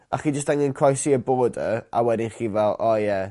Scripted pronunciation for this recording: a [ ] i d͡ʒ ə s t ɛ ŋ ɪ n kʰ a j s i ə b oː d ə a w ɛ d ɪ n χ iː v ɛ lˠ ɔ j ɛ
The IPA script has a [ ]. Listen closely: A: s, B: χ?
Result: B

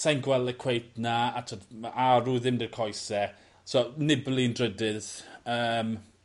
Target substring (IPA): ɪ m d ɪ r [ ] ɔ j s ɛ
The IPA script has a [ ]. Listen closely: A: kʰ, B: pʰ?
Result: A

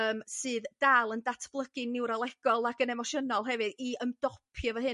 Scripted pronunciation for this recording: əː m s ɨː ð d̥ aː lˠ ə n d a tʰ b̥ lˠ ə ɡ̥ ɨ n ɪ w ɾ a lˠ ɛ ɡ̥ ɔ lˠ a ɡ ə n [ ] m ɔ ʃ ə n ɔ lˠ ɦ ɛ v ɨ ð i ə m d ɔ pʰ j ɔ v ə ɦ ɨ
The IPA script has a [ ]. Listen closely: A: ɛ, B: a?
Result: A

